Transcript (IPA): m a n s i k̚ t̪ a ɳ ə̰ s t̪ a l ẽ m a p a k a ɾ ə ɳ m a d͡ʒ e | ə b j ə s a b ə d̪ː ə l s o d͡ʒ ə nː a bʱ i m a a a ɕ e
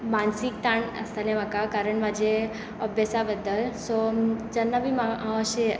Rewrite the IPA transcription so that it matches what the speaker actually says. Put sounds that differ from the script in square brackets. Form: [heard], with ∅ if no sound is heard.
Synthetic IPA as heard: m a n s i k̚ t̪ a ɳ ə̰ s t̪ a l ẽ m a [k] a k a ɾ ə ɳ m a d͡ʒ e | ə b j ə s a b ə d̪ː ə l s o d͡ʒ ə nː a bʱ i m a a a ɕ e